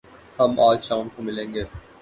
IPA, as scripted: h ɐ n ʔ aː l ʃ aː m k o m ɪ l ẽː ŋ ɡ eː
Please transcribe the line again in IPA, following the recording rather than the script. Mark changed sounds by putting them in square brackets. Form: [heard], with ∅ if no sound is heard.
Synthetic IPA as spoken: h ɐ [m] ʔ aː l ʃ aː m k o m ɪ l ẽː ŋ ɡ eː